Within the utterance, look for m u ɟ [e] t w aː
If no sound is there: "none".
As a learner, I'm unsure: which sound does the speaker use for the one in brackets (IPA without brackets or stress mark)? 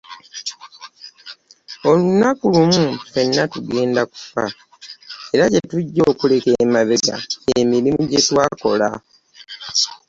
e